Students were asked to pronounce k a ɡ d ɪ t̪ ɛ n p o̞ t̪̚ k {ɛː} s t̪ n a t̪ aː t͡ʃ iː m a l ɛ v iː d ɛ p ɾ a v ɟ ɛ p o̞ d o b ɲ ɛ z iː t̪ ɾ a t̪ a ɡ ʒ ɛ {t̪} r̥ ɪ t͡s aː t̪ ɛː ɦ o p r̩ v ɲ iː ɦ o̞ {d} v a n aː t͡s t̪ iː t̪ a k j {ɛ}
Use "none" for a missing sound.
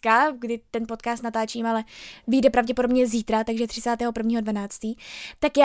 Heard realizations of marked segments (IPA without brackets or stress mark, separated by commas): aː, t̪, d, a